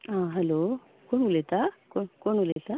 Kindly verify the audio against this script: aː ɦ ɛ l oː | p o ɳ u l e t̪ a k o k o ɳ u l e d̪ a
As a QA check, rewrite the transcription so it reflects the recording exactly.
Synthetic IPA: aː ɦ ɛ l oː | k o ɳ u l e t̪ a k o k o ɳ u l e t̪ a